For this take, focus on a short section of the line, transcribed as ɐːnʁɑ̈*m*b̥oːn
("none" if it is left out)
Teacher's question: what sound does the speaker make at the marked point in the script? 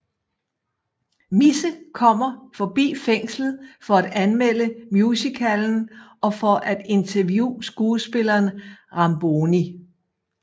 m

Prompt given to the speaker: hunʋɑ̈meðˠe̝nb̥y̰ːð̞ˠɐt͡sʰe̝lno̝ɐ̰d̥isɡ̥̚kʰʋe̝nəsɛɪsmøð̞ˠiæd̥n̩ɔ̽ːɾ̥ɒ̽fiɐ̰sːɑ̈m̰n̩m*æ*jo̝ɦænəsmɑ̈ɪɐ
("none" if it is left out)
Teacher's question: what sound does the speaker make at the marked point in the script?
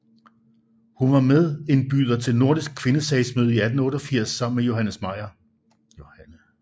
e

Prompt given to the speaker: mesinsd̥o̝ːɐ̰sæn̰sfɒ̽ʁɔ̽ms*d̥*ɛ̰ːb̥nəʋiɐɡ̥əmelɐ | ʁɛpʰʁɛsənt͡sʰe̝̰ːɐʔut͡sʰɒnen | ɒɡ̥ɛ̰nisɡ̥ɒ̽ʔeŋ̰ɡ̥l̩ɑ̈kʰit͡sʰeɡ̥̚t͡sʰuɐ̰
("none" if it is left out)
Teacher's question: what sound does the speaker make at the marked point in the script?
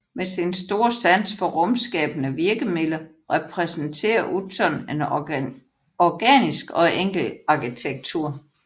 ɡ̥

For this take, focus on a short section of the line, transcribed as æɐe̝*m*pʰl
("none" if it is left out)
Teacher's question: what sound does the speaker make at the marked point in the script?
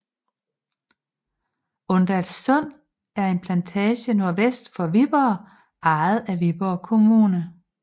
n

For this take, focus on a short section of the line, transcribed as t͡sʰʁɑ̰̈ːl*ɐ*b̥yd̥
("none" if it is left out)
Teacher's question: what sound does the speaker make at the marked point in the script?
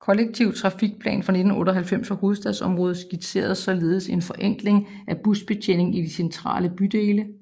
ə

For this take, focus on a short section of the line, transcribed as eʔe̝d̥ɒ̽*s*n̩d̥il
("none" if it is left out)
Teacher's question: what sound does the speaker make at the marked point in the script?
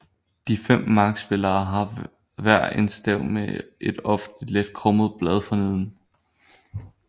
f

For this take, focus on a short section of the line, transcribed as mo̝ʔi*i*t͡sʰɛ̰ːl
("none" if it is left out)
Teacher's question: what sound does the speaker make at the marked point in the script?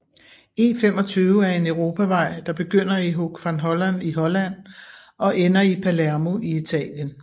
i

